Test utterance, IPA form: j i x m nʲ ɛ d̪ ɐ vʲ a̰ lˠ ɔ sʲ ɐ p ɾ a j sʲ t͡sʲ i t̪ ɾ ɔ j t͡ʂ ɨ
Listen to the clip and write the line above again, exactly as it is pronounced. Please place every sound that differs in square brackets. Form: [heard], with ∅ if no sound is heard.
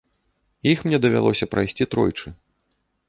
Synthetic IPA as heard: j i x m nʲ ɛ d̪ ɐ vʲ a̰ lˠ ɔ sʲ ɐ p ɾ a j sʲ t͡sʲ i t̪ ɾ ɔ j t͡ʂ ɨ